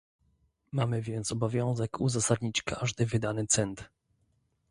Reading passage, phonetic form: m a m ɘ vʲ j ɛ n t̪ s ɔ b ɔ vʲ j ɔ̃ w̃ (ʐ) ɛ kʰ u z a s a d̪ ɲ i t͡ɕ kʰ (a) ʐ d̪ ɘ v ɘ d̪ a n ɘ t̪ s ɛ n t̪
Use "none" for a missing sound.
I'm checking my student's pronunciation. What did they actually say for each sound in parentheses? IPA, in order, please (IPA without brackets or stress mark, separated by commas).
z, a